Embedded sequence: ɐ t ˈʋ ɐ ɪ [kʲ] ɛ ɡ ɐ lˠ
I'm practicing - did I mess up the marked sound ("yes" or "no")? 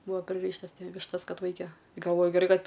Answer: no